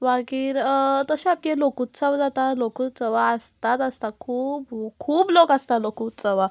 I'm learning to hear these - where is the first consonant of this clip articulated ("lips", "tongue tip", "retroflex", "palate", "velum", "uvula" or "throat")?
lips